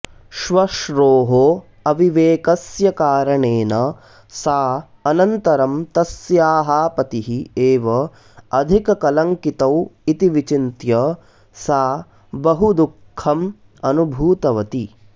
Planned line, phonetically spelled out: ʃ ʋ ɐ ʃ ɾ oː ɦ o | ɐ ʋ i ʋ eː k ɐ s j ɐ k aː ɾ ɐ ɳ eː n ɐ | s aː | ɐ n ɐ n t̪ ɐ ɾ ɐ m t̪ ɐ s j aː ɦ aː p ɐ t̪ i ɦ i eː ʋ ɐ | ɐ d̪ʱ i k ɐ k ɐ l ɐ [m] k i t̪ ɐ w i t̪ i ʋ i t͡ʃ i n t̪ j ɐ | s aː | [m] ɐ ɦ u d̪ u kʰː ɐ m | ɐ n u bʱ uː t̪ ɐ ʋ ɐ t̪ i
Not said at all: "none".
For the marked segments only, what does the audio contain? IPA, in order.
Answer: ŋ, b

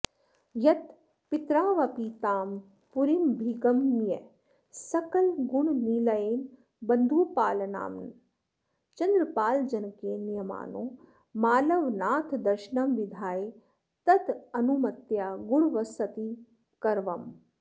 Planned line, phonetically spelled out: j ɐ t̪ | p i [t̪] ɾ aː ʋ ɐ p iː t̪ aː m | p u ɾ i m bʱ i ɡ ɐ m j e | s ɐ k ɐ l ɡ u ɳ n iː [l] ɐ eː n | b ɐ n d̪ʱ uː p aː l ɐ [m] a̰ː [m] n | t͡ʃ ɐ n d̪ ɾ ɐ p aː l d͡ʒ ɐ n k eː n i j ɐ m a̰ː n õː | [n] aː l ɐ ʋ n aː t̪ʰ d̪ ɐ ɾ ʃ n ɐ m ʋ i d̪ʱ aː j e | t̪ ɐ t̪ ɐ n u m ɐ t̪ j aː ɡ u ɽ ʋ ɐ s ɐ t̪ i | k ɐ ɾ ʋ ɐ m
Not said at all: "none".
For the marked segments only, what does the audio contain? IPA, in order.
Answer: t̪, l, n, m, m

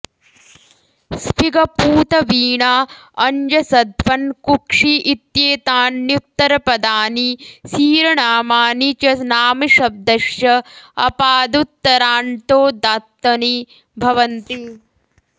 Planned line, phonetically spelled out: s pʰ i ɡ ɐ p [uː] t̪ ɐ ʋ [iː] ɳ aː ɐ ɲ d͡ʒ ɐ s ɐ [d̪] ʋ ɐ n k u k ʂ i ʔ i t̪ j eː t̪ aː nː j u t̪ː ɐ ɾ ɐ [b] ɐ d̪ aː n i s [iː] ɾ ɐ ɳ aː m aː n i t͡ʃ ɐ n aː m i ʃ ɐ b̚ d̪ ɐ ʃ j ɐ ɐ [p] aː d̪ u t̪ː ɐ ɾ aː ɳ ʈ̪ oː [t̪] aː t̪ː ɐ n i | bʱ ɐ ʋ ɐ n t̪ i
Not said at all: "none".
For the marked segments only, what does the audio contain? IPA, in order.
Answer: uː, iː, d̪, p, iː, p, d̪

